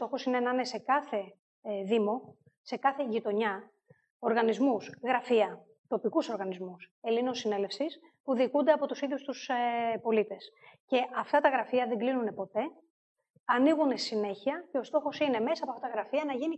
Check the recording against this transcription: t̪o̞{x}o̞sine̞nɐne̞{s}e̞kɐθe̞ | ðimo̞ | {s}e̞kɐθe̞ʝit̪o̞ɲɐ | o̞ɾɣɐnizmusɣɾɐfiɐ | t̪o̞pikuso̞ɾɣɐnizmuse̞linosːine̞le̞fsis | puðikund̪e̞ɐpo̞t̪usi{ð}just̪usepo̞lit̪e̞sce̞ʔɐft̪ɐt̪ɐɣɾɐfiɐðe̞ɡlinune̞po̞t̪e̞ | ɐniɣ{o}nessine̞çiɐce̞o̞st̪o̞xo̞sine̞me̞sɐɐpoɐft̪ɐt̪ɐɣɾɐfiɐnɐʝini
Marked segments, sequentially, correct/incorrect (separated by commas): correct, correct, correct, correct, incorrect